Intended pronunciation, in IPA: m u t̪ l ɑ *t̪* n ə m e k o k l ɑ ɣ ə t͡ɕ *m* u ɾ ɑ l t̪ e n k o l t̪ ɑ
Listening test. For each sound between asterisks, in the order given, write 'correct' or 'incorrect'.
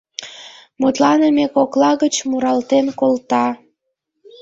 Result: incorrect: none, correct

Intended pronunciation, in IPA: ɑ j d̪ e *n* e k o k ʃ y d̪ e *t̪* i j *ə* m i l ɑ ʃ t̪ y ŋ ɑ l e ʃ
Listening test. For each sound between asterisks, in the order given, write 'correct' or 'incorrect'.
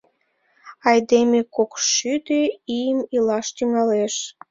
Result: incorrect: m, incorrect: none, correct

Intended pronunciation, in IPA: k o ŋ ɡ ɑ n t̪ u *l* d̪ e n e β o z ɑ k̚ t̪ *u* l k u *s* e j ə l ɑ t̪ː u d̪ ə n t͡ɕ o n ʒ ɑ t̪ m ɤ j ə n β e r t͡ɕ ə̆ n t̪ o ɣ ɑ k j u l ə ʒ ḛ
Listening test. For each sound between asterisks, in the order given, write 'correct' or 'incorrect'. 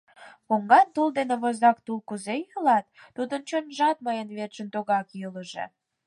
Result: correct, correct, incorrect: z

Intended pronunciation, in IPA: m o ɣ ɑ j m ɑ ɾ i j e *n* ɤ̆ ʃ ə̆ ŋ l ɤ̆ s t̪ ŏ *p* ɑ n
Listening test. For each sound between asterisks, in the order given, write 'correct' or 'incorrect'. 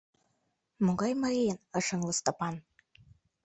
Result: correct, correct

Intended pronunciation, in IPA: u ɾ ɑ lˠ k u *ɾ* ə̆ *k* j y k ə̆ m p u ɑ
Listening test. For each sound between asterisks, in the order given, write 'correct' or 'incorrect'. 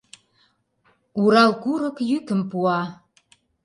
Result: correct, correct

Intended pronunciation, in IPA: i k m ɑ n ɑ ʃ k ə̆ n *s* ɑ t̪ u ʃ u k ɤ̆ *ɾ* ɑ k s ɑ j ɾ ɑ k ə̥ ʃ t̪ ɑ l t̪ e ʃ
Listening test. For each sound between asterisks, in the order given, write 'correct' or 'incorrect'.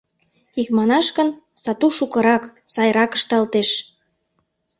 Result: correct, correct

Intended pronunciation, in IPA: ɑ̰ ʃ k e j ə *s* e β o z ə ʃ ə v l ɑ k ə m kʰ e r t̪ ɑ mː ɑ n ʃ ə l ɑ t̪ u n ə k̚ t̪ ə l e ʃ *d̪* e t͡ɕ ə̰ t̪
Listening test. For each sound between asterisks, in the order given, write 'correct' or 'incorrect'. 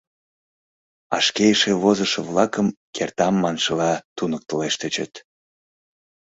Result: incorrect: ʃ, incorrect: t̪

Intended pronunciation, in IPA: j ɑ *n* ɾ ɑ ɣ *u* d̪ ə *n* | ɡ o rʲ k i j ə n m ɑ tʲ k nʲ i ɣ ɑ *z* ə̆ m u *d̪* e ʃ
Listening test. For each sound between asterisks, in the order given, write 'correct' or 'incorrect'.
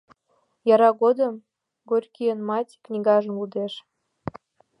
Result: incorrect: none, incorrect: o, incorrect: m, incorrect: ʒ, correct

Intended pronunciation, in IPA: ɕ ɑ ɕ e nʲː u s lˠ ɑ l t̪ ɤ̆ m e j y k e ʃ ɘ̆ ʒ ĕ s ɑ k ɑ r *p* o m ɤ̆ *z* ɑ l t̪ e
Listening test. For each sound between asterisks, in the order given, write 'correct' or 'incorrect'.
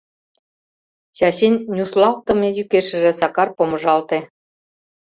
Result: correct, incorrect: ʒ

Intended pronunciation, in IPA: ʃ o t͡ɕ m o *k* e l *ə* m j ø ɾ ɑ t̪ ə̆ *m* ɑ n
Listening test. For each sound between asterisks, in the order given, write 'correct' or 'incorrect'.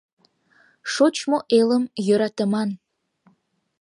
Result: incorrect: ʔ, correct, correct

